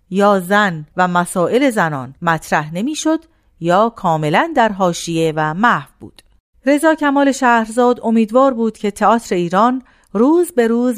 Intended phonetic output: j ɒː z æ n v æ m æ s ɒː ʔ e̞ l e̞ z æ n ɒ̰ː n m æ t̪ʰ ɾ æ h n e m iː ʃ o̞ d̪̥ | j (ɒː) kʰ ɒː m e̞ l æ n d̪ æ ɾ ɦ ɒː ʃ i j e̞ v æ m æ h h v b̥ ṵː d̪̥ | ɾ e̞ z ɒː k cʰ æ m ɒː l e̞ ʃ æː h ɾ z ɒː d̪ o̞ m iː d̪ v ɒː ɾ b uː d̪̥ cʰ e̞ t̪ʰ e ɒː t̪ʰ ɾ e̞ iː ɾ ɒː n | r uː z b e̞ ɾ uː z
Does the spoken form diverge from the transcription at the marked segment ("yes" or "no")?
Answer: no